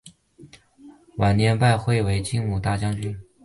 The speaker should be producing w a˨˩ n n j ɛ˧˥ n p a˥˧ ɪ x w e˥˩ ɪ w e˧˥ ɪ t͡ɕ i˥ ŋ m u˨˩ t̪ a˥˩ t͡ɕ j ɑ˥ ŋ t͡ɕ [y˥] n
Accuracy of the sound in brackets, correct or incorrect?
correct